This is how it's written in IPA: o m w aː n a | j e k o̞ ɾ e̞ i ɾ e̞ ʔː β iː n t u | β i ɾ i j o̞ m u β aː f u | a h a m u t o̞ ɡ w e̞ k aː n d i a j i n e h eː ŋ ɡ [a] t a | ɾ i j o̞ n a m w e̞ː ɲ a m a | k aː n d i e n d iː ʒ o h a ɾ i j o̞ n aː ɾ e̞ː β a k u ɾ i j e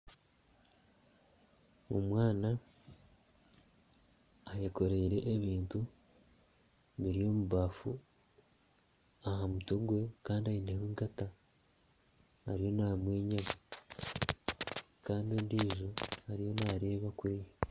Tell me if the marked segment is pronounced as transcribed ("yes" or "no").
yes